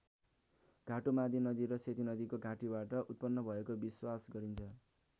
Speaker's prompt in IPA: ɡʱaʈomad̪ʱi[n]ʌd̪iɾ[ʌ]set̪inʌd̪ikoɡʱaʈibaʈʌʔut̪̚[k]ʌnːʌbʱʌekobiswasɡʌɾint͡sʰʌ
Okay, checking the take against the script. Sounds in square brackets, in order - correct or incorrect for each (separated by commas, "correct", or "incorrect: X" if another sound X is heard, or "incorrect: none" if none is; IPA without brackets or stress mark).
correct, correct, incorrect: p